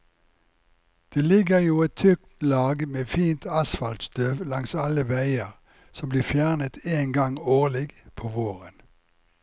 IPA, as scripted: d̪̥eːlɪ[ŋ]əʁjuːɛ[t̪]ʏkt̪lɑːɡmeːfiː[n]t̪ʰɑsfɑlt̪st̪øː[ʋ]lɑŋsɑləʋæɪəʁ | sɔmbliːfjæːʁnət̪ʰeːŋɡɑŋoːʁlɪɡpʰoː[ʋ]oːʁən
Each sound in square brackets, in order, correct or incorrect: incorrect: ɡ, incorrect: t̪ʰ, correct, correct, correct

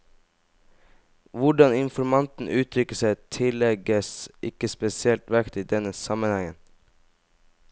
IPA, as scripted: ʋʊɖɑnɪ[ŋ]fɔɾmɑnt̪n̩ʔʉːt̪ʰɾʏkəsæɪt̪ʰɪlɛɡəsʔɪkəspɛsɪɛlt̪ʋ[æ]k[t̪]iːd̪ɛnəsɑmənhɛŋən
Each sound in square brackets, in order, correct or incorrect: incorrect: n, correct, correct

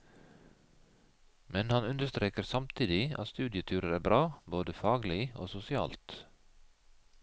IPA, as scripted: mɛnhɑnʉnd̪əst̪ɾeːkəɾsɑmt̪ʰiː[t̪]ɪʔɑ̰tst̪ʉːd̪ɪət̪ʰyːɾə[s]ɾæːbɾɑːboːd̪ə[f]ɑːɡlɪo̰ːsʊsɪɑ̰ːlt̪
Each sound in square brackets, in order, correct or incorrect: incorrect: d̪, incorrect: none, correct

